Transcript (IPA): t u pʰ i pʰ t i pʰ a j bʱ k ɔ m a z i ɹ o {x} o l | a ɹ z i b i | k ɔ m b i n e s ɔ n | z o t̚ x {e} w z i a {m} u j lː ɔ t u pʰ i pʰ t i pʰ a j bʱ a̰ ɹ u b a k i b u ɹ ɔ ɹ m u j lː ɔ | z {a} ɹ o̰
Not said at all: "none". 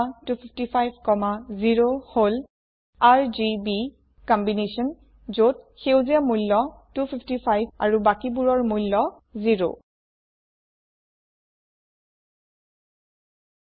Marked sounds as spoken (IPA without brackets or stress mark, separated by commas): h, e, m, i